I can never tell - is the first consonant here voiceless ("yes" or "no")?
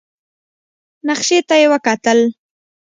no